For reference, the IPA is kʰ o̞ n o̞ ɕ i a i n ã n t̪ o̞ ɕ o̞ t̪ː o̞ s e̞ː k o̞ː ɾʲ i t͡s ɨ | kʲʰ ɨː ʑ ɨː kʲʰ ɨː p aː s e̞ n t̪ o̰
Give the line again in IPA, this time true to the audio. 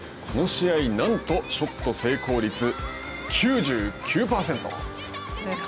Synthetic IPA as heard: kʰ o̞ n o̞ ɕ i a i n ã n t̪ o̞ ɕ o̞ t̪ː o̞ s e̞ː k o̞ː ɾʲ i t͡s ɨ | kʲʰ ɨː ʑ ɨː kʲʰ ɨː p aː s e̞ n t̪ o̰